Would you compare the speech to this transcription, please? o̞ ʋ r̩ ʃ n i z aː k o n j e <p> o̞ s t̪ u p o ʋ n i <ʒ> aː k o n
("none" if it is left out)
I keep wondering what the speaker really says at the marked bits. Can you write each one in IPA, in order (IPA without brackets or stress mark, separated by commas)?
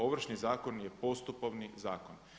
p, z